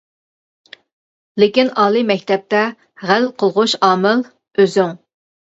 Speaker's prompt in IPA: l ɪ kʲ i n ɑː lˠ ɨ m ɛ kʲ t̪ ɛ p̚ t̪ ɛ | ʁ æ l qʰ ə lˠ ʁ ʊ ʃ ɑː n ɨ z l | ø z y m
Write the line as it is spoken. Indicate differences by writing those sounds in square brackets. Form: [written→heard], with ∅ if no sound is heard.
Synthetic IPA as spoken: l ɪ kʲ i n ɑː lˠ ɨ m ɛ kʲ t̪ ɛ p̚ t̪ ɛ | ʁ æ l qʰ ə lˠ ʁ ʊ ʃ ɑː [n→m] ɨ [z→∅] l | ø z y [m→ŋ]